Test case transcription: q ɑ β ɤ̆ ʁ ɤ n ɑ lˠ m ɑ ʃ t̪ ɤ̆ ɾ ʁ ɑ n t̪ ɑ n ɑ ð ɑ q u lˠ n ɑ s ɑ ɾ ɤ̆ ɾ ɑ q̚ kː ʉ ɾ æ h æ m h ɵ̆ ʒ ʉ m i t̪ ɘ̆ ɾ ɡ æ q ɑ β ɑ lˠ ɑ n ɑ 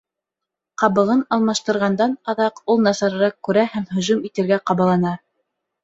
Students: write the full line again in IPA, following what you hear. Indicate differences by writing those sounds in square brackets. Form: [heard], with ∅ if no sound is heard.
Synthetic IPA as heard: q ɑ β ɤ̆ ʁ ɤ n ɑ lˠ m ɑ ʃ t̪ ɤ̆ ɾ ʁ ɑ n [d̪] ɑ n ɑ ð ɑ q u lˠ n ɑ s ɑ ɾ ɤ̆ ɾ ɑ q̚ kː ʉ ɾ æ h æ m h ɵ̆ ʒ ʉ m i t̪ ɘ̆ ɾ ɡ æ q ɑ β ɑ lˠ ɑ n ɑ